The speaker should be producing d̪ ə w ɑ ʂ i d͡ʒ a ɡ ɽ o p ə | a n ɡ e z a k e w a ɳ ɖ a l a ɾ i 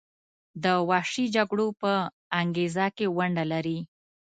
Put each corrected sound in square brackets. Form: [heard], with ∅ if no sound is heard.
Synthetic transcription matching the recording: d̪ ə w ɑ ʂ i d͡ʒ a ɡ ɽ o p ə | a [ŋ] ɡ e z a k e w a ɳ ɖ a l a ɾ i